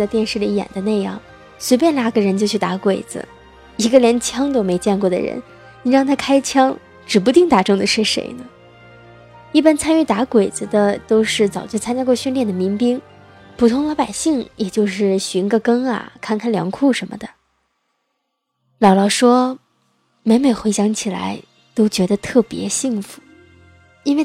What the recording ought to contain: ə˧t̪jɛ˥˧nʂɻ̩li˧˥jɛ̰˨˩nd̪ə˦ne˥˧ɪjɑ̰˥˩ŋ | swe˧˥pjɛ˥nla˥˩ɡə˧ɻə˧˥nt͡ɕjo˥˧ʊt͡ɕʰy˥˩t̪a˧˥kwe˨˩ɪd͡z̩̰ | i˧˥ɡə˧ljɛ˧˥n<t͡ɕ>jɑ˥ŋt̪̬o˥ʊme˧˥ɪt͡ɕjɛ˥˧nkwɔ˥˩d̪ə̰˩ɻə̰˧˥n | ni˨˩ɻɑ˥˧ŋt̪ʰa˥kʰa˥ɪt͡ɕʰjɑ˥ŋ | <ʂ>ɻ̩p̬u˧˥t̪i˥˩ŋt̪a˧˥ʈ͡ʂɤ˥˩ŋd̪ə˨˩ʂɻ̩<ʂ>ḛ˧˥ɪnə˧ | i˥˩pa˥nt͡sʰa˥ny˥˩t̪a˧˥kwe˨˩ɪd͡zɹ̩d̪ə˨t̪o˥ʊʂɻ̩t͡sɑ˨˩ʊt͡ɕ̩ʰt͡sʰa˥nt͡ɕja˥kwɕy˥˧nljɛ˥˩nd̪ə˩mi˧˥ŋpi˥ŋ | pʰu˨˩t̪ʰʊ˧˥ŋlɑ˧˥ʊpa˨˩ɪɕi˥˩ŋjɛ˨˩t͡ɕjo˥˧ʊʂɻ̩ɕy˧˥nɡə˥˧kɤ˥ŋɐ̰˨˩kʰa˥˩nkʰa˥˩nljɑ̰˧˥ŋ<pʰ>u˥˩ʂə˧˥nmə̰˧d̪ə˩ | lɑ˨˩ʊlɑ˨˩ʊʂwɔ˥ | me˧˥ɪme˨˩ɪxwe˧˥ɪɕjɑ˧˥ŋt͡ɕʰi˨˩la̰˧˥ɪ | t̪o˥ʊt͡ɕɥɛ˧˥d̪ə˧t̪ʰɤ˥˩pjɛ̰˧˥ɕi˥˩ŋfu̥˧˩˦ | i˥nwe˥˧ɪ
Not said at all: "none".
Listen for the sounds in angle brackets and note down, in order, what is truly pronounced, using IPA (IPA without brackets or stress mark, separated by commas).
t͡ɕʰ, ʈ͡ʂ, ʂ, kʰ